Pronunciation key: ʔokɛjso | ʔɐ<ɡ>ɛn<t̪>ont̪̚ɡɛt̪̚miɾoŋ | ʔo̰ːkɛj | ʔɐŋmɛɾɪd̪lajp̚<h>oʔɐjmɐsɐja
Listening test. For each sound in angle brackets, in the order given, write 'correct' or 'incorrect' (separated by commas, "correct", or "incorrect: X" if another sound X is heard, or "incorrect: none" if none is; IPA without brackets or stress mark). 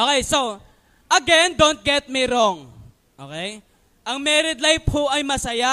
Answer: correct, incorrect: d̪, correct